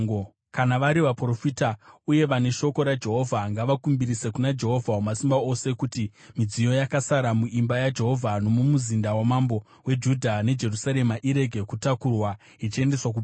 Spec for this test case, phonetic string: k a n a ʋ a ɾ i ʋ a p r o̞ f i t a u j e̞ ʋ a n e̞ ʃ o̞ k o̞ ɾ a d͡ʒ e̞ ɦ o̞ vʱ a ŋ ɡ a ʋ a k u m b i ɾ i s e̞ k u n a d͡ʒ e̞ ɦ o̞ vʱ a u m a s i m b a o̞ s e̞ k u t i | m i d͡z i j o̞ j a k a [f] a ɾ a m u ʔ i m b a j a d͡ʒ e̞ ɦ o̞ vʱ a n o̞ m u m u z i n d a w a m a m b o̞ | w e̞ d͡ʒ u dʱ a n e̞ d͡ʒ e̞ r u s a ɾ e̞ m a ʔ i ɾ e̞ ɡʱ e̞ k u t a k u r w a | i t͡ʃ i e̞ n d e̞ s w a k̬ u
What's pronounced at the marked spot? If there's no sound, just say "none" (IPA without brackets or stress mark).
s